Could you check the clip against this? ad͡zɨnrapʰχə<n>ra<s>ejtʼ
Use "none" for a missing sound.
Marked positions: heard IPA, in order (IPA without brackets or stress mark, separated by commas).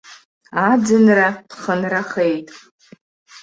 n, χ